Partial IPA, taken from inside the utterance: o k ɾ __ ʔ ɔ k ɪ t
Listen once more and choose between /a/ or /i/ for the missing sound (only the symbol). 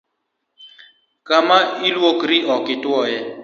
i